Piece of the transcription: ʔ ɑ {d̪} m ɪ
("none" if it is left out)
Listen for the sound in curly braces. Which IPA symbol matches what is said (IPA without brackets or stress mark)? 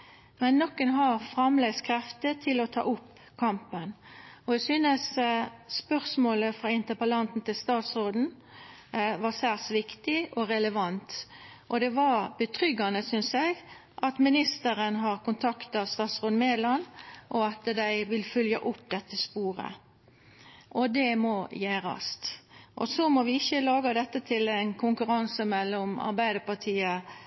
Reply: t̪